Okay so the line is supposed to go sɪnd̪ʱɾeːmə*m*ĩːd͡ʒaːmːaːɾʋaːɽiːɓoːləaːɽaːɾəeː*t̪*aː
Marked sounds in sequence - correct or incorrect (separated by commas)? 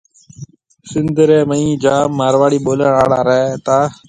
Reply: incorrect, correct